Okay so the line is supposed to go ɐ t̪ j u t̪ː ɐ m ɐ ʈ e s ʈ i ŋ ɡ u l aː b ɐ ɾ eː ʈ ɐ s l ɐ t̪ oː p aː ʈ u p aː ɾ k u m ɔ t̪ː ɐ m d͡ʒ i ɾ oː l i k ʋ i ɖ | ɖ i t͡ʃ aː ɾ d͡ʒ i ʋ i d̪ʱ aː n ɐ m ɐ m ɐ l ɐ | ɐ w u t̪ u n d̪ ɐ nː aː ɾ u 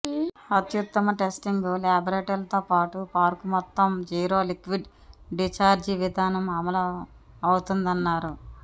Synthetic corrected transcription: ɐ t̪ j u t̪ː ɐ m ɐ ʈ e s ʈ i ŋ ɡ u l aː b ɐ ɾ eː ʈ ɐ l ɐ t̪ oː p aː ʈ u p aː ɾ k u m ɔ t̪ː ɐ m d͡ʒ iː ɾ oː l i k ʋ i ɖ | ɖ i t͡ʃ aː ɾ d͡ʒ i ʋ i d̪ʱ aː n ɐ m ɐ m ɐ l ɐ | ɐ w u t̪ u n d̪ ɐ nː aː ɾ u